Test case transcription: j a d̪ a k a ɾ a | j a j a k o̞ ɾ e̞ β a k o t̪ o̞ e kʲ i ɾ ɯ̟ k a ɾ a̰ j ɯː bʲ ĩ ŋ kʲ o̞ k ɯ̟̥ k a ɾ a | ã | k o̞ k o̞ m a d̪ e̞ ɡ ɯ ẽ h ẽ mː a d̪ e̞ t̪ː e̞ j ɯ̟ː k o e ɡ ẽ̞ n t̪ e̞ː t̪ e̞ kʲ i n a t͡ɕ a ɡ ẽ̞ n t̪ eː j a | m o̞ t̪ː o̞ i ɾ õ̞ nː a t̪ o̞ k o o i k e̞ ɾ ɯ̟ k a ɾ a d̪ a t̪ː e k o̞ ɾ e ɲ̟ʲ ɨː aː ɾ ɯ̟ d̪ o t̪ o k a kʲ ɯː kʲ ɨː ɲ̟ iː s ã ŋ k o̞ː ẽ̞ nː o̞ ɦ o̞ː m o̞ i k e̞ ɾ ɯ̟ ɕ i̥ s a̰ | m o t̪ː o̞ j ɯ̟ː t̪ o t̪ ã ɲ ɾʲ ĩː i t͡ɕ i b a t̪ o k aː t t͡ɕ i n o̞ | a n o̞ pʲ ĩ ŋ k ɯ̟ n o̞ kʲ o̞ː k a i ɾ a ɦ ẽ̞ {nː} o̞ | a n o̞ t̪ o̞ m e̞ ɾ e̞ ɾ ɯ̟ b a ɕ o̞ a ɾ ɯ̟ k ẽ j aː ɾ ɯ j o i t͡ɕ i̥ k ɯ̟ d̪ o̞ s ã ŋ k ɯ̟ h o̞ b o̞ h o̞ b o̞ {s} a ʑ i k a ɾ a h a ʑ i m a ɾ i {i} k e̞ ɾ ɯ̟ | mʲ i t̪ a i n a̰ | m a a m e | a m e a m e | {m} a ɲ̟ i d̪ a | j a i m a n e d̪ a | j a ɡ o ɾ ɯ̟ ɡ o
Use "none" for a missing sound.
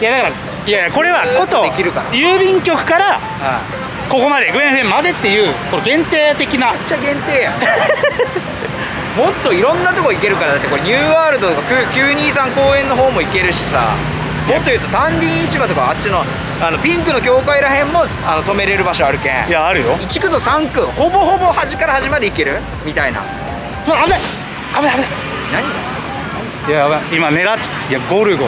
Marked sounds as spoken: mː, h, i, n

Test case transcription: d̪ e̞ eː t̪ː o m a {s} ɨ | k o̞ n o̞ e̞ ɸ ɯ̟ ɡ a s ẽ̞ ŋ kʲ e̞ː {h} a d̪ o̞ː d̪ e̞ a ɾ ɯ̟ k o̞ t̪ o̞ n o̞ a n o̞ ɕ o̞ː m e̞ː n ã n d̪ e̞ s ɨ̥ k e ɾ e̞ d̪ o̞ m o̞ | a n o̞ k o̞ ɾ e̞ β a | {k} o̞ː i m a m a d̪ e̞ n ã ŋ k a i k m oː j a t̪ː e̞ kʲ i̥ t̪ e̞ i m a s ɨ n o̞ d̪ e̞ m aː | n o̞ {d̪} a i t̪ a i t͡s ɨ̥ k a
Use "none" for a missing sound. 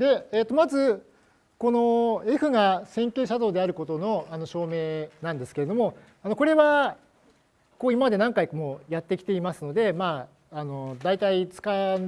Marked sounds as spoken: z, ɕ, k, d̪

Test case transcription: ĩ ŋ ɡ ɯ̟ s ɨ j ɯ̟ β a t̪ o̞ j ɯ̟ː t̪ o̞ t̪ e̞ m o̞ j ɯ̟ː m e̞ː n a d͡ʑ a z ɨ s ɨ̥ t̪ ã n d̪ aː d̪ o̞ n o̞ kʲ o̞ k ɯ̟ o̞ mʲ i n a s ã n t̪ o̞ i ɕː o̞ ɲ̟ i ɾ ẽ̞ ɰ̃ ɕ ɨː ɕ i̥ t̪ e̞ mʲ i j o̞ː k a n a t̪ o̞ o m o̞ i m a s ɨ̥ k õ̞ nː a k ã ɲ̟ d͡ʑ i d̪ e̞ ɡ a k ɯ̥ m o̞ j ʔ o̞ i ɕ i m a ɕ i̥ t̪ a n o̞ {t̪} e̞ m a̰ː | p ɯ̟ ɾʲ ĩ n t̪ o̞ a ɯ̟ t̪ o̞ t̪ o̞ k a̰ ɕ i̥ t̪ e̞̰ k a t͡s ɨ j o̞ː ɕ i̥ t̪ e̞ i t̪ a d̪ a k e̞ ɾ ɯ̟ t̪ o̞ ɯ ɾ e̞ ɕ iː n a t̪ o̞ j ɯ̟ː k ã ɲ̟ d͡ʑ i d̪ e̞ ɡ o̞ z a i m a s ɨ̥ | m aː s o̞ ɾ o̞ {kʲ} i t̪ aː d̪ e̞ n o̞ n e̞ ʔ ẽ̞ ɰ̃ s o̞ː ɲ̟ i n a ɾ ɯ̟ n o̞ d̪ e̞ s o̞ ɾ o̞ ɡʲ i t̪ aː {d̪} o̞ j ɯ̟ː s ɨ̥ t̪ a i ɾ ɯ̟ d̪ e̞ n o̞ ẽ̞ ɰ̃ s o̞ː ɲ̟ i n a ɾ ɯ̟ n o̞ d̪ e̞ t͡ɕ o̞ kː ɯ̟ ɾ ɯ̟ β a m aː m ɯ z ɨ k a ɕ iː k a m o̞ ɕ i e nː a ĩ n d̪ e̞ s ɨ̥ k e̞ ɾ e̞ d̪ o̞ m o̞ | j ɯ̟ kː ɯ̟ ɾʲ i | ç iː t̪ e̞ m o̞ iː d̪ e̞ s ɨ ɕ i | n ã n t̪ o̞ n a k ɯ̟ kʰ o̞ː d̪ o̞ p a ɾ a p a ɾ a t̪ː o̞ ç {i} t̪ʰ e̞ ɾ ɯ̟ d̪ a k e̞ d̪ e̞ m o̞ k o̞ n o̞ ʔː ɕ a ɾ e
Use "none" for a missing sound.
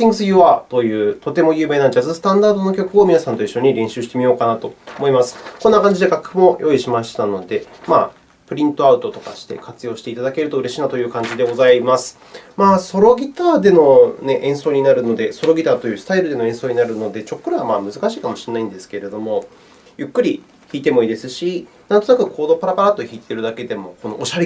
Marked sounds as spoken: d̪, ɡʲ, t̪, iː

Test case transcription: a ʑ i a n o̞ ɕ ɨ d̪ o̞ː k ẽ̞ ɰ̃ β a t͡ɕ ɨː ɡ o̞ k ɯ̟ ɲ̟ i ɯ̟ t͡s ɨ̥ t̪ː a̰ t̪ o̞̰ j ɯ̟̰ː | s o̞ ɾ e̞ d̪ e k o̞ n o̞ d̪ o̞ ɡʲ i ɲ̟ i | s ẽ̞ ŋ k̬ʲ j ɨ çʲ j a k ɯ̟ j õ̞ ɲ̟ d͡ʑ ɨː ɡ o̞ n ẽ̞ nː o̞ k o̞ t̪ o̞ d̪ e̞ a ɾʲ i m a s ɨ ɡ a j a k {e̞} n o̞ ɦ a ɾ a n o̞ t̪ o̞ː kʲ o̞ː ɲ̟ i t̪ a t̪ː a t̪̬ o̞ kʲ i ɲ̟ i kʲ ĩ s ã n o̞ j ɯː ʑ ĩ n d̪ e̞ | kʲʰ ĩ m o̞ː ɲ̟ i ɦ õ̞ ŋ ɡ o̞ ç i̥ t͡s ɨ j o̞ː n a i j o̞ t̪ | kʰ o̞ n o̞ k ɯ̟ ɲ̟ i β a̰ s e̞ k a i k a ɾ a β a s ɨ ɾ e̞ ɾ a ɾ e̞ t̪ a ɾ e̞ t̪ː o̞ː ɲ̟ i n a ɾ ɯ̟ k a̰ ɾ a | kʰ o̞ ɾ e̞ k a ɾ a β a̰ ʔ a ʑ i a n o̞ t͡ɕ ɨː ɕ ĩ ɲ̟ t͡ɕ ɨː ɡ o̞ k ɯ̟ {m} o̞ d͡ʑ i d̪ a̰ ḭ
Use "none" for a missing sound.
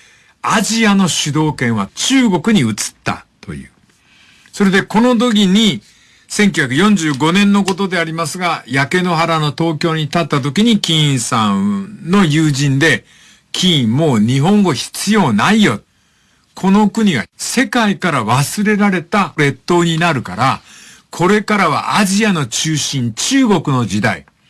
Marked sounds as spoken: e̞, n

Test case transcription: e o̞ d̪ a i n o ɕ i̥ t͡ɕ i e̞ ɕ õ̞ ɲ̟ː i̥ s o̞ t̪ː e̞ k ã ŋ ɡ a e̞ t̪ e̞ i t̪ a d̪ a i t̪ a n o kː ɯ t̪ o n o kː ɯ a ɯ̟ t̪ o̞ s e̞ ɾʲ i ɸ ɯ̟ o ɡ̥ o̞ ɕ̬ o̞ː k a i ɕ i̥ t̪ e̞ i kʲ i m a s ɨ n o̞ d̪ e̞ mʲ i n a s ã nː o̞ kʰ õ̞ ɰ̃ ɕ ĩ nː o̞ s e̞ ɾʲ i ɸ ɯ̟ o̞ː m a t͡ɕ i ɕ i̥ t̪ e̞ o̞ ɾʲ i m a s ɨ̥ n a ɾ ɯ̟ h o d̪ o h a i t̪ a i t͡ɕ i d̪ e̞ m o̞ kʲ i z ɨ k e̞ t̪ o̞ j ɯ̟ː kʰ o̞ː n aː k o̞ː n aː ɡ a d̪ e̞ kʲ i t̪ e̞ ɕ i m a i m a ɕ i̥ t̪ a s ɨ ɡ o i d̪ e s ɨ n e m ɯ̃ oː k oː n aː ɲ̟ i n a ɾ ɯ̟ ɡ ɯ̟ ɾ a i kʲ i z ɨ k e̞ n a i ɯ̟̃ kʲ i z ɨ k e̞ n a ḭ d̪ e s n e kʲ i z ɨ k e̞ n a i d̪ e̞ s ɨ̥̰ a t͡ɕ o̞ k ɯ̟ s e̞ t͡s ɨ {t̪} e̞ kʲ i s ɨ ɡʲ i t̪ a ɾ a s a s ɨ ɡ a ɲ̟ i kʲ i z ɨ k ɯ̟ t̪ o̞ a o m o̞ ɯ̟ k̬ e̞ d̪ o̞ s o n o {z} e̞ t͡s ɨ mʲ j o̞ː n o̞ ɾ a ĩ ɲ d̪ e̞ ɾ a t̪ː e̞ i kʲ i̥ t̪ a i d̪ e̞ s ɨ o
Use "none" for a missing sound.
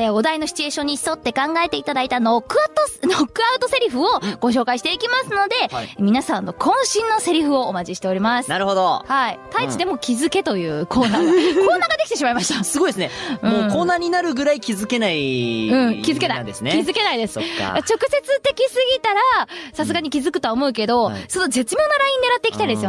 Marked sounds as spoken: t̪, z

